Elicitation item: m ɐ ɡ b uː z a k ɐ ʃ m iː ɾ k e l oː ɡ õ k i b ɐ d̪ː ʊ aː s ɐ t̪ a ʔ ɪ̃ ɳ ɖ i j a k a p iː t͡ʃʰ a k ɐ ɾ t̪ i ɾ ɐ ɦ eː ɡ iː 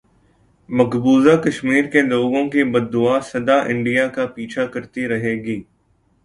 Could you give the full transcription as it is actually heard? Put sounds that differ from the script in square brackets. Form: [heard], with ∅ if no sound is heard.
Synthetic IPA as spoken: m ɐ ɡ b uː z a k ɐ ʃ m iː ɾ k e l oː ɡ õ k i b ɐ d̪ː ʊ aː s ɐ [d̪] a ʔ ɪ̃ ɳ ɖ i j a k a p iː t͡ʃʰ a k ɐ ɾ t̪ i ɾ ɐ ɦ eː ɡ iː